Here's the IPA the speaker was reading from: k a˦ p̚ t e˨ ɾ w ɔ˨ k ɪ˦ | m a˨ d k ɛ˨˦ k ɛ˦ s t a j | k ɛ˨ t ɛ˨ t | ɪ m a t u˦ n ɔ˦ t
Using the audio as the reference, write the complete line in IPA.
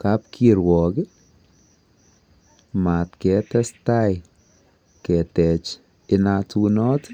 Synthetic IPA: k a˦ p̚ k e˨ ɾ w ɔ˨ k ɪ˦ | m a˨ t k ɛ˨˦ t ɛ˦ s t a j | k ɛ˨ t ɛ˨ t͡ʃ | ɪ n a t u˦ n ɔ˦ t